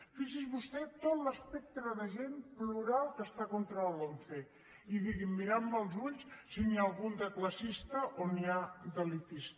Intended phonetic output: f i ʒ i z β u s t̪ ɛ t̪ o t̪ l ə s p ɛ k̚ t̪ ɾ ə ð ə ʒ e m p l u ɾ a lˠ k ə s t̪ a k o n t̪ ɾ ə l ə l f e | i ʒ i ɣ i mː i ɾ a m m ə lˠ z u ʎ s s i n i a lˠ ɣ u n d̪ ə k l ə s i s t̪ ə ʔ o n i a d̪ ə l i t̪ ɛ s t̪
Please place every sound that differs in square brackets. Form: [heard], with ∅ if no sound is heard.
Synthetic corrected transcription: f i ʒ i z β u s t̪ ɛ t̪ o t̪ l ə s p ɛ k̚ t̪ ɾ ə ð ə ʒ e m p l u ɾ a lˠ k ə s t̪ a k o n t̪ ɾ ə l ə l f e | i [ð] i ɣ i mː i ɾ a m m ə lˠ z u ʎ s s i n i a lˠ ɣ u n d̪ ə k l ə s i s t̪ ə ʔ o n i a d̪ ə l i t̪ [i] s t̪